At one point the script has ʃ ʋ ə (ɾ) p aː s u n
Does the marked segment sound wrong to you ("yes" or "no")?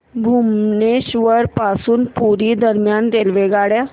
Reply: no